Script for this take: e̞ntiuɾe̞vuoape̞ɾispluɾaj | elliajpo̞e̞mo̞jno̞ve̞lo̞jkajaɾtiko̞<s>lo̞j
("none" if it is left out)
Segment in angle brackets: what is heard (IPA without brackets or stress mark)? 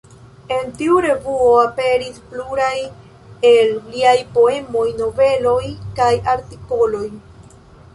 none